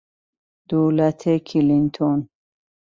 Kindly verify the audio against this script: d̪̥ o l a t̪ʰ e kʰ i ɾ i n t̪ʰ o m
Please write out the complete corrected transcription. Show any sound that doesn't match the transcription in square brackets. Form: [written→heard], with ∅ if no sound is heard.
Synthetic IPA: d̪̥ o l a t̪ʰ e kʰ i [ɾ→l] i n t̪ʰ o [m→n]